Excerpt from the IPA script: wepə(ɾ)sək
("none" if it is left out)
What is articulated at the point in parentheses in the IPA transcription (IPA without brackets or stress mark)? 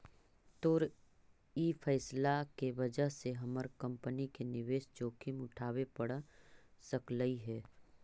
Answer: ɽ